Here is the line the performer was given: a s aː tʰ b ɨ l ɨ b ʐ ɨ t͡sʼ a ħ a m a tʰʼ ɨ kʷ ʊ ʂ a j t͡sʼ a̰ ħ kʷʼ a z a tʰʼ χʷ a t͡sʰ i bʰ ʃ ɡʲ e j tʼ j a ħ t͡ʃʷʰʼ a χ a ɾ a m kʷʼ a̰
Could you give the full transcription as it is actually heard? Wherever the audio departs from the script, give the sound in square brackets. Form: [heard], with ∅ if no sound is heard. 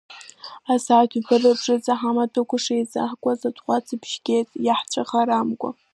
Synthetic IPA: a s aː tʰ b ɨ [r] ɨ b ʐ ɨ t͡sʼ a ħ a m a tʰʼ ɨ kʷ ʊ ʂ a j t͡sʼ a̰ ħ kʷʼ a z a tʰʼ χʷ a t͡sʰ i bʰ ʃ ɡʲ e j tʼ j a ħ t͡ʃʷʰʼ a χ a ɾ a m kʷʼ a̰